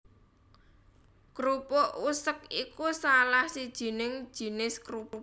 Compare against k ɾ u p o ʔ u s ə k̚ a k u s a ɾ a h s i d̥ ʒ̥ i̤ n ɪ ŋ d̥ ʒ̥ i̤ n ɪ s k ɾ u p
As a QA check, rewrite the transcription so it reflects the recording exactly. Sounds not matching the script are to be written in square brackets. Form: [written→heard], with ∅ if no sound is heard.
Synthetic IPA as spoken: k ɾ u p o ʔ u s ə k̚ [a→i] k u s a [ɾ→l] a h s i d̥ ʒ̥ i̤ n ɪ ŋ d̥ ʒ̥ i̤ n ɪ s k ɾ u p